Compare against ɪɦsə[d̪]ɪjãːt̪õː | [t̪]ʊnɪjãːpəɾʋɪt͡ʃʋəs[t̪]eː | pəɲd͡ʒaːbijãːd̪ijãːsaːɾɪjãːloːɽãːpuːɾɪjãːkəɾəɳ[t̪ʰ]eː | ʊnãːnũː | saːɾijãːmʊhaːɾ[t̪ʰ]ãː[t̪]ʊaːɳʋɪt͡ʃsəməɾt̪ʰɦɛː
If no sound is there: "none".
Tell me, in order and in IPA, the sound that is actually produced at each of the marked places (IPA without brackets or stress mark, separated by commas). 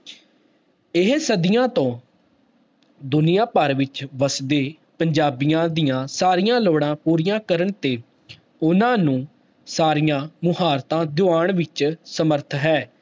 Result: d̪, d̪, d̪, t̪, t̪, d̪